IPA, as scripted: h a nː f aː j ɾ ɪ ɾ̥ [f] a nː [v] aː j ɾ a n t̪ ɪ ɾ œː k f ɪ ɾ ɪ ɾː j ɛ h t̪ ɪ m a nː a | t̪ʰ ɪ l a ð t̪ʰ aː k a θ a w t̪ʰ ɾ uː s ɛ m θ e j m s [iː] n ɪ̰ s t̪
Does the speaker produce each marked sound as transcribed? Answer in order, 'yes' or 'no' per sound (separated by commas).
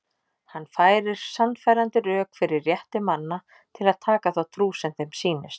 no, no, yes